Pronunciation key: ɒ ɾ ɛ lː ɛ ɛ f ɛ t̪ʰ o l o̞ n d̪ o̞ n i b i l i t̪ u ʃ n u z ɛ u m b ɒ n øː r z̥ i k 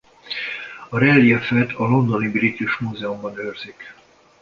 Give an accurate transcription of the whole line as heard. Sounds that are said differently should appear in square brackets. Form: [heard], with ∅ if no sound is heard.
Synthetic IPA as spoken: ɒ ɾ ɛ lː [i] ɛ f ɛ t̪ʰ [ɒ] l o̞ n d̪ o̞ n i b i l i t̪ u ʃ [m] u z ɛ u m b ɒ n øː r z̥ i k